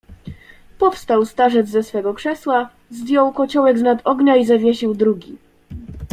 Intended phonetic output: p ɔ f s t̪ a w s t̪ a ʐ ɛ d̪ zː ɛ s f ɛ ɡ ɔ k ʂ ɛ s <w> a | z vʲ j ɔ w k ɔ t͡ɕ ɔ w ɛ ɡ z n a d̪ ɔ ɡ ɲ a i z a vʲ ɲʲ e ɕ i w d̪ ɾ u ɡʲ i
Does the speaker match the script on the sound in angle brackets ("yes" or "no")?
yes